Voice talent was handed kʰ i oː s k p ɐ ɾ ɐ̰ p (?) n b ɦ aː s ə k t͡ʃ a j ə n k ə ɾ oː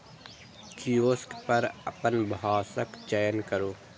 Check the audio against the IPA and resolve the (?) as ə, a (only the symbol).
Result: ə